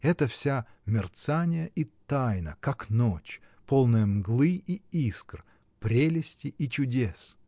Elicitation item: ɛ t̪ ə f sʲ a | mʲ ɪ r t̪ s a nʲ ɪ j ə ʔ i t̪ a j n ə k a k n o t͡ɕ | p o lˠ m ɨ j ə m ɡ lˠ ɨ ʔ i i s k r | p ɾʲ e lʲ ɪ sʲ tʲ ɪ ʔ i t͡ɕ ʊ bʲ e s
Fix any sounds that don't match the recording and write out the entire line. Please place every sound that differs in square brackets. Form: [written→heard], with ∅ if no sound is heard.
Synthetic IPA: ɛ t̪ ə f sʲ a | mʲ ɪ r t̪ s a nʲ ɪ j ə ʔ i t̪ a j n ə k a k n o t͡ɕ | p o lˠ [m→n] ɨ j ə m ɡ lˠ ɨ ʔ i i s k r | p ɾʲ e lʲ ɪ sʲ tʲ ɪ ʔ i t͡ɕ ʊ [bʲ→dʲ] e s